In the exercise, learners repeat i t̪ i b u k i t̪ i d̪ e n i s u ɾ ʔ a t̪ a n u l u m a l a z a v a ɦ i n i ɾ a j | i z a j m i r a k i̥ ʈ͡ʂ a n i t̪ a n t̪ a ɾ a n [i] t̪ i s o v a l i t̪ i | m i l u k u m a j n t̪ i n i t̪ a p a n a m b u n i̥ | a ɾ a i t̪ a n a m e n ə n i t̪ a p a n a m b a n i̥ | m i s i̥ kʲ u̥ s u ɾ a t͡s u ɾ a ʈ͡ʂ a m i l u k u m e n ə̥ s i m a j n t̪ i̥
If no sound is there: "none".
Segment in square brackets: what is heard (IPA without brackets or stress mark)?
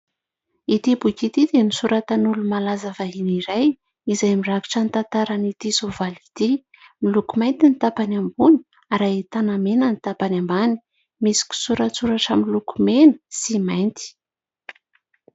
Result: i